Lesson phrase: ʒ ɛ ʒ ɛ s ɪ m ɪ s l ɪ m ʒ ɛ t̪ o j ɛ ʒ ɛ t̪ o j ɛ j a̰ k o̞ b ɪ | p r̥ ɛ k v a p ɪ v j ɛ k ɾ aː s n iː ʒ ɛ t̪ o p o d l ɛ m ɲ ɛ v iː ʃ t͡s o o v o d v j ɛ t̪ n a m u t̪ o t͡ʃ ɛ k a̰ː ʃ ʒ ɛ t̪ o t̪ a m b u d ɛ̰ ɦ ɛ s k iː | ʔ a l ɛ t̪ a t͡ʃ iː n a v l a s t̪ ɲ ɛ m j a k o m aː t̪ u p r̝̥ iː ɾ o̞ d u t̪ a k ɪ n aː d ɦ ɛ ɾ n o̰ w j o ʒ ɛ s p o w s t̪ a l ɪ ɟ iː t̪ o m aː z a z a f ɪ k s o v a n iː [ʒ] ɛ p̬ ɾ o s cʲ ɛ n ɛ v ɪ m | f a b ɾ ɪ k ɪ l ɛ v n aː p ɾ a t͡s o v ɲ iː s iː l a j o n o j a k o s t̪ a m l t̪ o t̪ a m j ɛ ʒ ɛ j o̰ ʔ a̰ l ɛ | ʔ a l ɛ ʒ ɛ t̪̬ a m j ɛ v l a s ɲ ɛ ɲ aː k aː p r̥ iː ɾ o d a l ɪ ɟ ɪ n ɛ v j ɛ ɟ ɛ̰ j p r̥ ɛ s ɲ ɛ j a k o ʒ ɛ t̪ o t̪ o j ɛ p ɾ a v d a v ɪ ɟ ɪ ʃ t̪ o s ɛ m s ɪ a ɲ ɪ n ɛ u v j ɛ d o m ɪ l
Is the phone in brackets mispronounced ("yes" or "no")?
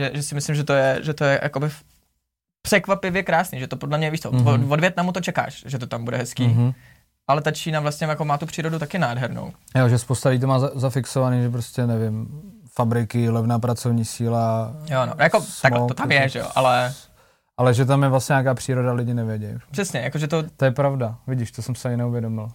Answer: no